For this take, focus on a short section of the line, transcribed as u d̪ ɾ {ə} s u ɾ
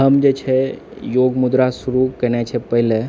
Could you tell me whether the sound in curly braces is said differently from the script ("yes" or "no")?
yes